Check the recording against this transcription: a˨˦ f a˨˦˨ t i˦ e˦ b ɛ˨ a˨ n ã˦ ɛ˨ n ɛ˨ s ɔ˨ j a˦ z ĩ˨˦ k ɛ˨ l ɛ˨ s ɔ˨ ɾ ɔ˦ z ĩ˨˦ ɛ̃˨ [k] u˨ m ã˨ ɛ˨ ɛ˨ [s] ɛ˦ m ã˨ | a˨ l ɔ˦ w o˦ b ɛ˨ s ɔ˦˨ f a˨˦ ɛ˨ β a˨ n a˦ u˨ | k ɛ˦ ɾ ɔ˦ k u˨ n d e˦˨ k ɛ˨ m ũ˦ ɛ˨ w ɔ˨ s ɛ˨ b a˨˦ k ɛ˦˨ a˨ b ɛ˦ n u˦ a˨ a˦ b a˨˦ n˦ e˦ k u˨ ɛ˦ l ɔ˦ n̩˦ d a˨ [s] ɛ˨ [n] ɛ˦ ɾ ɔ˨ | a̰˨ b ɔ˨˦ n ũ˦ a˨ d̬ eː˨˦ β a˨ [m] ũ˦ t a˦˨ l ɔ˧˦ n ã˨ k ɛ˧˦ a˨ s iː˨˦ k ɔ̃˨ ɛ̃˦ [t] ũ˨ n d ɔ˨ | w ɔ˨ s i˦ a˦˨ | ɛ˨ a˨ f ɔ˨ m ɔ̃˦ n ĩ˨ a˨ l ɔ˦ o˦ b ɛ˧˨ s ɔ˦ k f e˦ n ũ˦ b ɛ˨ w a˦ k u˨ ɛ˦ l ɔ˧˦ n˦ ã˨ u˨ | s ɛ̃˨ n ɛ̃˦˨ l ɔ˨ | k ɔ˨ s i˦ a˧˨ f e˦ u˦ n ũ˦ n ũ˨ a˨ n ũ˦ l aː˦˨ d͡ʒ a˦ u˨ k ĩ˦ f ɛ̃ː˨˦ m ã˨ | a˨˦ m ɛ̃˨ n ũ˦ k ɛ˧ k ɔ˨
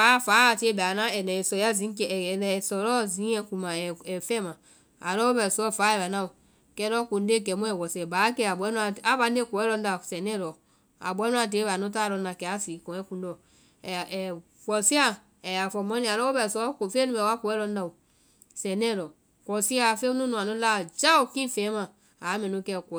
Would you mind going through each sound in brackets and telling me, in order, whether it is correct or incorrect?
correct, incorrect: f, correct, correct, incorrect: n, incorrect: k

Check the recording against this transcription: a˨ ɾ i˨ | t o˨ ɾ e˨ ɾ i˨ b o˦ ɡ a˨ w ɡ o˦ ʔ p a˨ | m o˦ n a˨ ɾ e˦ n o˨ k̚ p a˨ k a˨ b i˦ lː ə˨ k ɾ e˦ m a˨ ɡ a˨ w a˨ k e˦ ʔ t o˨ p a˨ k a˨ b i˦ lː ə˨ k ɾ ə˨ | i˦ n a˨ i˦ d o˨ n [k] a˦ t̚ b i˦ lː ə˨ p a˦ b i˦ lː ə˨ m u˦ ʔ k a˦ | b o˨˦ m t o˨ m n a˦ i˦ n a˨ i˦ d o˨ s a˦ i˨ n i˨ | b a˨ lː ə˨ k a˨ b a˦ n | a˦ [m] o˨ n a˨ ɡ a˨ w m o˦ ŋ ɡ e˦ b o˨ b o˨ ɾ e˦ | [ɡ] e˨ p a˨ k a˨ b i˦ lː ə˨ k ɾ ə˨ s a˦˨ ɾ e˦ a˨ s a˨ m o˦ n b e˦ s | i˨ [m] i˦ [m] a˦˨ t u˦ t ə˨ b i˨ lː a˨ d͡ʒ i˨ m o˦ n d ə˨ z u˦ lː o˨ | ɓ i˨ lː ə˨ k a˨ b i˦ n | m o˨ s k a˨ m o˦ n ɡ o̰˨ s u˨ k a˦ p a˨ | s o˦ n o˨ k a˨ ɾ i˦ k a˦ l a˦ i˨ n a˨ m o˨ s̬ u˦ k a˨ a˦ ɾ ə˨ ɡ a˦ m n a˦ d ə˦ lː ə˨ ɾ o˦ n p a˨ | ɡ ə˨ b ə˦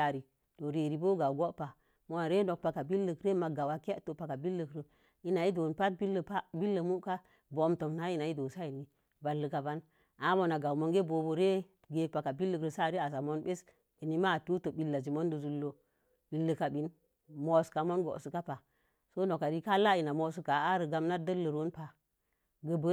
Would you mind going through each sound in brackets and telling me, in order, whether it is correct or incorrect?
incorrect: p, correct, correct, incorrect: n, correct

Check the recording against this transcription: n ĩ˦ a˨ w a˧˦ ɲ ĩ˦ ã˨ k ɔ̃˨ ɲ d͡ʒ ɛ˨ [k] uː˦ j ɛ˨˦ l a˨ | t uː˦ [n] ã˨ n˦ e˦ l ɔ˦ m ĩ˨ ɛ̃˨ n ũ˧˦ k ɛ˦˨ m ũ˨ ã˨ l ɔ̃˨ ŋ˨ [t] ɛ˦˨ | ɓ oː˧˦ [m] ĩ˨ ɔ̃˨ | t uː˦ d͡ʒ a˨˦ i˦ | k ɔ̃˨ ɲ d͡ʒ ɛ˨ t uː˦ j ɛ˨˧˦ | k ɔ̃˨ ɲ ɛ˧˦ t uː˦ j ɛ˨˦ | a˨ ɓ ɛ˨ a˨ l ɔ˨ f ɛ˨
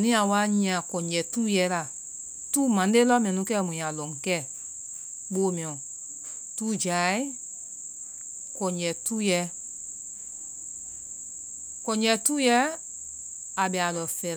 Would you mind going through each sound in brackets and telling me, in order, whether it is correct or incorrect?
incorrect: t, incorrect: m, incorrect: k, correct

